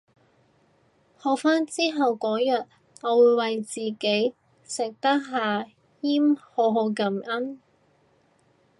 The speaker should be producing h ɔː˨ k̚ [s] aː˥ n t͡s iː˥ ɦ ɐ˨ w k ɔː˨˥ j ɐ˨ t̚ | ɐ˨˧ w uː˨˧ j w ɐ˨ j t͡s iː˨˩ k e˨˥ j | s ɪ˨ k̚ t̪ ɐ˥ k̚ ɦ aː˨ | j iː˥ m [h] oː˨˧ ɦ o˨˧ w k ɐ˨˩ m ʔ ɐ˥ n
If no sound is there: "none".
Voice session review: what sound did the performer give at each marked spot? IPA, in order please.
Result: f, h

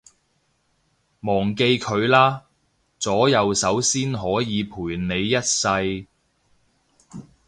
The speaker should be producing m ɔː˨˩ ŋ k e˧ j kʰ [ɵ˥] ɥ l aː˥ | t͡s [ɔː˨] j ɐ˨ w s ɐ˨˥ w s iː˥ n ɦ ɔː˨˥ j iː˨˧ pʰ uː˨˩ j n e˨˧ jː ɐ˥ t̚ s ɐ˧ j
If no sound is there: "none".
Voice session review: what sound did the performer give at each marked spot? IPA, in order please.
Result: ɵ˨˧, ɔː˨˥

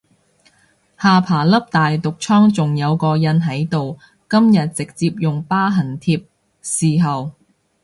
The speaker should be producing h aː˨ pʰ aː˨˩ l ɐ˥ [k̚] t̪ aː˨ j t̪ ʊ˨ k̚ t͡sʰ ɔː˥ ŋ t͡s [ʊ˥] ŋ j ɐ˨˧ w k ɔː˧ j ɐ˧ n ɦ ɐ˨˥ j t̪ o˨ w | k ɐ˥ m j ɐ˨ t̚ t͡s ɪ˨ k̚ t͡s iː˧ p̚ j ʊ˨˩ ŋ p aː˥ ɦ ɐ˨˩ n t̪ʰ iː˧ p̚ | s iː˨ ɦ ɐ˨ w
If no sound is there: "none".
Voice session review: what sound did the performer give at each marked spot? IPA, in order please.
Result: p̚, ʊ˨

